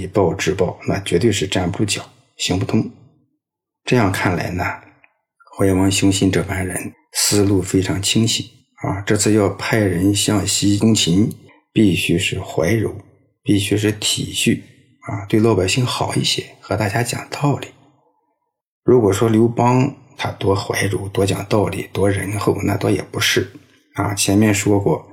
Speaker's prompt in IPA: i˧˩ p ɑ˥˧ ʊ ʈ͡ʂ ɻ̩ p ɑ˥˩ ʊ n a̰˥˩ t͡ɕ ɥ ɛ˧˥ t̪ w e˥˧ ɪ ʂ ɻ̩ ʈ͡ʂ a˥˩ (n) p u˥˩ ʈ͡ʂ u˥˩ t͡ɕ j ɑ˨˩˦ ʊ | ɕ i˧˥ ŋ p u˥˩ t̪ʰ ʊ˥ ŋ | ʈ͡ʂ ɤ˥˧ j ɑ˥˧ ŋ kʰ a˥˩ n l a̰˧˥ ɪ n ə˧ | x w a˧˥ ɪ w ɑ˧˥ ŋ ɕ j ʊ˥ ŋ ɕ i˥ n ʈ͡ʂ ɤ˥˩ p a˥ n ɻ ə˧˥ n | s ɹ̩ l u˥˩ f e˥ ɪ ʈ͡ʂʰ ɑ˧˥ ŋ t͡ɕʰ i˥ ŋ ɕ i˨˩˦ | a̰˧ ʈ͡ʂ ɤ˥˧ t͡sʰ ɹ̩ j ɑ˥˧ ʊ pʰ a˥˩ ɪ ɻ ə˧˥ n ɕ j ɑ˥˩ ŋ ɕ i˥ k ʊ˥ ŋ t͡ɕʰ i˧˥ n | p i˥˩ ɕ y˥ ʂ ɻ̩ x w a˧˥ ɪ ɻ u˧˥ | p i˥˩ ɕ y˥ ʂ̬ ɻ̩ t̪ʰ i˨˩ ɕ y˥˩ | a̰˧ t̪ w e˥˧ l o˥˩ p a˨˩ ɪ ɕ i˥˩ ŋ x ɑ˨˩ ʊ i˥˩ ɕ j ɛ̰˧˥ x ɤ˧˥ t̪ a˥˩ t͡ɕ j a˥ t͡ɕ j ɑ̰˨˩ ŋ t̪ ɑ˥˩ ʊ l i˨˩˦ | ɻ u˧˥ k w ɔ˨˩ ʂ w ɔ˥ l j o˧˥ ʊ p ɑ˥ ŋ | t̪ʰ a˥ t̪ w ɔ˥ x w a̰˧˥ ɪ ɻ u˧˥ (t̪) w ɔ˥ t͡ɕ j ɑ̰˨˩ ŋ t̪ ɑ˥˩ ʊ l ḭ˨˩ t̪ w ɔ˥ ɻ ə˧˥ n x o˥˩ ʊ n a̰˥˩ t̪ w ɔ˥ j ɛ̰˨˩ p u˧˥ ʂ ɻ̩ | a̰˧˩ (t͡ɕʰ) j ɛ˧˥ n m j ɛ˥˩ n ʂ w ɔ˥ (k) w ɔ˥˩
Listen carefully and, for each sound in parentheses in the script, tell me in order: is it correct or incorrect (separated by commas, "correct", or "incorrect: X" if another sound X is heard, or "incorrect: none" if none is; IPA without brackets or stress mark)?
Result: correct, correct, correct, correct